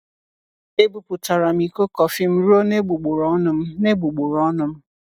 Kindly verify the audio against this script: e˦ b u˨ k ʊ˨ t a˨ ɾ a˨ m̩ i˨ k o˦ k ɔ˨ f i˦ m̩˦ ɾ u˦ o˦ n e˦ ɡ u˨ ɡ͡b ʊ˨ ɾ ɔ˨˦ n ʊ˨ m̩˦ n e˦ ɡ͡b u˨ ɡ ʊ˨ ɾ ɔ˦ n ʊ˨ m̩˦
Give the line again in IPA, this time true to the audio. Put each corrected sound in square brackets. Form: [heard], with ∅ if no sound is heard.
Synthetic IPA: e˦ b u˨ [p] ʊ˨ t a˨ ɾ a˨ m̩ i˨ k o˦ k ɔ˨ f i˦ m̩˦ ɾ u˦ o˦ n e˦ [ɡ͡b] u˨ ɡ͡b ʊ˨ ɾ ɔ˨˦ n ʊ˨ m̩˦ n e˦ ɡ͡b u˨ [ɡ͡b] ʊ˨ ɾ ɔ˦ n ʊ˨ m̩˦